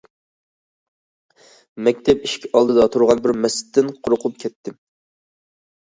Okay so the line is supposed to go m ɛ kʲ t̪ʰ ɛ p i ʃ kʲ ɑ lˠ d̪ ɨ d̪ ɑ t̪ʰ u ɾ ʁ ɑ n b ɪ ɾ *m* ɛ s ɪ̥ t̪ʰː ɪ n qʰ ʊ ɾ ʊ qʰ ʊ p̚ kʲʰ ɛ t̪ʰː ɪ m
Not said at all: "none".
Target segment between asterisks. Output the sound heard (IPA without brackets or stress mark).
m